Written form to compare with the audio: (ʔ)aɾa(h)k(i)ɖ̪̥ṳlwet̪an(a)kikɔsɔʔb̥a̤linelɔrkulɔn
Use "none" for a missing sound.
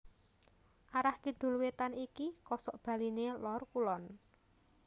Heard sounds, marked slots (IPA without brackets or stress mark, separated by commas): ʔ, h, i, i